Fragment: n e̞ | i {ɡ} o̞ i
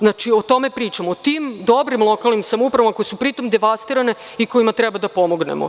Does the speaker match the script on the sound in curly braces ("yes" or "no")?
no